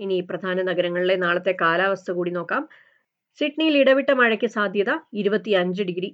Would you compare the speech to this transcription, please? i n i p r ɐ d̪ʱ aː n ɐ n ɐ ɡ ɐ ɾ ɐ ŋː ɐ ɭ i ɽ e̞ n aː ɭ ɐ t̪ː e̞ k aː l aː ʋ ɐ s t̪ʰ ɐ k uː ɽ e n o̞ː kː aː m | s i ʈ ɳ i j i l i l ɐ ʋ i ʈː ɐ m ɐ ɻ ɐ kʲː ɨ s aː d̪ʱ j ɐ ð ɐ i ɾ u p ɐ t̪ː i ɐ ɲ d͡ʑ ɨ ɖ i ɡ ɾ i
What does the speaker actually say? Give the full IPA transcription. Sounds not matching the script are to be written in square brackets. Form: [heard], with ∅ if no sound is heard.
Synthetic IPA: i n i p r ɐ d̪ʱ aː n ɐ n ɐ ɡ ɐ ɾ ɐ ŋː ɐ ɭ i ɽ e̞ n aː ɭ ɐ t̪ː e̞ k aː l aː ʋ ɐ s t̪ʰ ɐ k uː ɽ [i] n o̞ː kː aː m | s i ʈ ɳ i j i l i [ɽ] ɐ ʋ i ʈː ɐ m ɐ ɻ ɐ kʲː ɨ s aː d̪ʱ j ɐ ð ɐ i ɾ u [b] ɐ t̪ː i ɐ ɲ d͡ʑ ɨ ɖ i ɡ ɾ i